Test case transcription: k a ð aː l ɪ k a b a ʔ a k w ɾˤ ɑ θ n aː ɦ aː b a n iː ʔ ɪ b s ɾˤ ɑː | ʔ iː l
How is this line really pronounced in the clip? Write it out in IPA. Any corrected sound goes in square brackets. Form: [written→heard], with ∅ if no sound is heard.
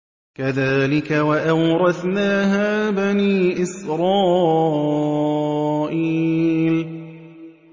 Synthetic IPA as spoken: k a ð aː l ɪ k a [b→w] a ʔ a [k→∅] w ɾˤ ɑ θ n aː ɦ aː b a n iː ʔ ɪ [b→∅] s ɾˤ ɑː | ʔ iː l